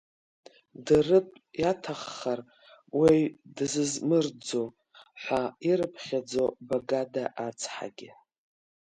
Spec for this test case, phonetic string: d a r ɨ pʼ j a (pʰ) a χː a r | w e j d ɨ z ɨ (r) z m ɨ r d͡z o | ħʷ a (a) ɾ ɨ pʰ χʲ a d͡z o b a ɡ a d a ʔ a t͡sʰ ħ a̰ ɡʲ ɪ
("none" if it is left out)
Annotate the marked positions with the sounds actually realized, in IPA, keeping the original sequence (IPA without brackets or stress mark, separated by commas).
tʰ, none, i